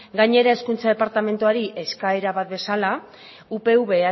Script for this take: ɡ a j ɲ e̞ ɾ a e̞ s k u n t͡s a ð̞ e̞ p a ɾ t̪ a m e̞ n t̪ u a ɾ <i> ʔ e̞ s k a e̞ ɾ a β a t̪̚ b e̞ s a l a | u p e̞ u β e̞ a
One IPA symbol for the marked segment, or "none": i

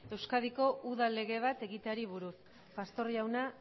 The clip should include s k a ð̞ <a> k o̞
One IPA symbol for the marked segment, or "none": i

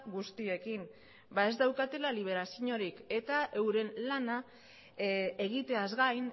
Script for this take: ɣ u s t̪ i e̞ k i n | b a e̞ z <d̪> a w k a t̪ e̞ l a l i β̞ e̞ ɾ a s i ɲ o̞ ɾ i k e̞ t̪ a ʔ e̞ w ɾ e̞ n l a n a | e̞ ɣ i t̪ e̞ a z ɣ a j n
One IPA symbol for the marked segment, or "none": d̪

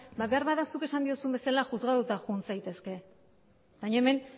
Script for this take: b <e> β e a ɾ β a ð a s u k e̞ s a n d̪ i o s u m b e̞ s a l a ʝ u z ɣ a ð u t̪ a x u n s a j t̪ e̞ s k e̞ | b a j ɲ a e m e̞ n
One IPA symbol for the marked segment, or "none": a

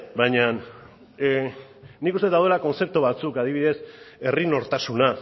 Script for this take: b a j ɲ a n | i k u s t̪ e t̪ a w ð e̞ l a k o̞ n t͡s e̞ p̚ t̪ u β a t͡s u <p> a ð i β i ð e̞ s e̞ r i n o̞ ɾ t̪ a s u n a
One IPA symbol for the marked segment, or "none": k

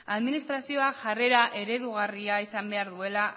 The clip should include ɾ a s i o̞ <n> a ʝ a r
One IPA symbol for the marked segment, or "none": none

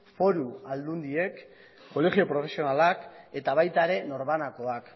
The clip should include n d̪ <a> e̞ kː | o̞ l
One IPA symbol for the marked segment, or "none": i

